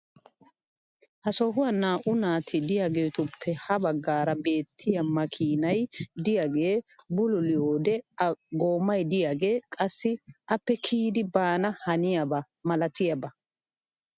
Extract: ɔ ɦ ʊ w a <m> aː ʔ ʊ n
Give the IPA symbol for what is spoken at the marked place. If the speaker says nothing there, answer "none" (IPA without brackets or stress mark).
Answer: n